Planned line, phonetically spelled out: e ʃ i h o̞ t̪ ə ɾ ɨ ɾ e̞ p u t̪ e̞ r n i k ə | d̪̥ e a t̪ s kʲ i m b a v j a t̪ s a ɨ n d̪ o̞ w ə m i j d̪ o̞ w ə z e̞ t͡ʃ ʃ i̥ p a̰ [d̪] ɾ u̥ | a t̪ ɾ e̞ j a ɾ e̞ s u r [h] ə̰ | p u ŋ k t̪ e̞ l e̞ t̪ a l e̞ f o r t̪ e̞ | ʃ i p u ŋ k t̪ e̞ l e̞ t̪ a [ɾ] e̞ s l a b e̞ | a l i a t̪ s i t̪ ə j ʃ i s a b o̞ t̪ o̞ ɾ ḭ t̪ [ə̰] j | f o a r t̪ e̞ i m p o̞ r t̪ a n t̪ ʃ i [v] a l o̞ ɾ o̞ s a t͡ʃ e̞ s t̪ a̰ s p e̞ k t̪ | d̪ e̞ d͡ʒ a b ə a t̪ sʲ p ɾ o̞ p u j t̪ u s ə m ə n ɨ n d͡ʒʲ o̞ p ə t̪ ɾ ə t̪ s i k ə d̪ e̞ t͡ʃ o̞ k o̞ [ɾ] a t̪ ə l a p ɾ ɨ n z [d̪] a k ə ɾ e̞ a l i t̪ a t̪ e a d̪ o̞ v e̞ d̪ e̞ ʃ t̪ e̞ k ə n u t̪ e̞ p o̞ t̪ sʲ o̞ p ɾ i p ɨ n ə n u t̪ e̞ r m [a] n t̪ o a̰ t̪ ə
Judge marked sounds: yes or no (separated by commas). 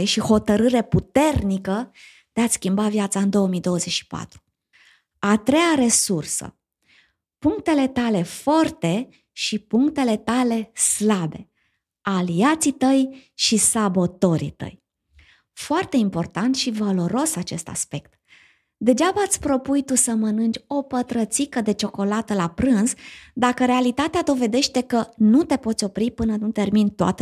no, no, no, yes, yes, no, yes, no